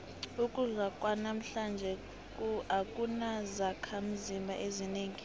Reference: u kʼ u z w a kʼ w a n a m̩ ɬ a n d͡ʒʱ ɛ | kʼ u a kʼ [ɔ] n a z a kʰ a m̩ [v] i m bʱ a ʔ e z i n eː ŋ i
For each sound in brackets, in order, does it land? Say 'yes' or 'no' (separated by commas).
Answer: no, no